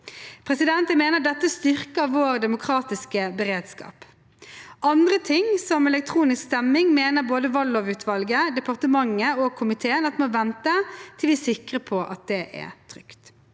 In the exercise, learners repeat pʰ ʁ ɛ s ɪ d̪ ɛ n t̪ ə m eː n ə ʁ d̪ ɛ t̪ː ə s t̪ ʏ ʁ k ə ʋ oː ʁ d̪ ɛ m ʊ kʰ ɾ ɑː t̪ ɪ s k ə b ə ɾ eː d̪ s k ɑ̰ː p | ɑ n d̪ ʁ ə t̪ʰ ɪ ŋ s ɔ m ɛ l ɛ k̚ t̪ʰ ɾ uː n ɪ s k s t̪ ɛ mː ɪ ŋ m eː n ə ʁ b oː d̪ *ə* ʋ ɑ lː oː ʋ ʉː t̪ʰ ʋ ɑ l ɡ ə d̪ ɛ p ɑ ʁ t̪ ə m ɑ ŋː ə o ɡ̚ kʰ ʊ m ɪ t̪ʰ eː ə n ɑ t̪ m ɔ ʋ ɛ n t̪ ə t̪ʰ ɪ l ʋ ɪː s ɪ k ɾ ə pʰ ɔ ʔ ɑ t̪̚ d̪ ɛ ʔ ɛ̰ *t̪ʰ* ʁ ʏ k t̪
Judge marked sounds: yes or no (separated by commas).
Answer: yes, yes